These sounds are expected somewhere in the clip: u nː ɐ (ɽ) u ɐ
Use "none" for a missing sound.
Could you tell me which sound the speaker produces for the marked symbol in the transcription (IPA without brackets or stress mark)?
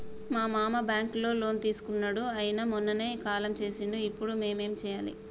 ɽ